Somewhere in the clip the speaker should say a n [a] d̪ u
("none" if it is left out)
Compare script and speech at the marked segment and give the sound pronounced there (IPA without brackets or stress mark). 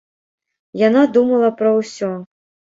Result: a